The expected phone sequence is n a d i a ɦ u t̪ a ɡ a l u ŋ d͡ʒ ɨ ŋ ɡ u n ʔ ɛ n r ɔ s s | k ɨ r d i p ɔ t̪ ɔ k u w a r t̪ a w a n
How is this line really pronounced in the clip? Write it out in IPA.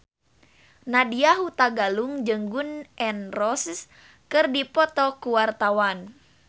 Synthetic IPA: n a d i a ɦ u t̪ a ɡ a l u ŋ d͡ʒ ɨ ŋ ɡ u n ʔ ɛ n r ɔ s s | k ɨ r d i p ɔ t̪ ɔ k u w a r t̪ a w a n